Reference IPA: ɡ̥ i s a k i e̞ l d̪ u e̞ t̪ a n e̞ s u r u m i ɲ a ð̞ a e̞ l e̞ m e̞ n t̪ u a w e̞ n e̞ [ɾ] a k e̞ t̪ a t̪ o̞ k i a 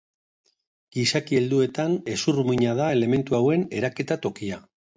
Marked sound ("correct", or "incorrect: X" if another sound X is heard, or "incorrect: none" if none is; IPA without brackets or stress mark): correct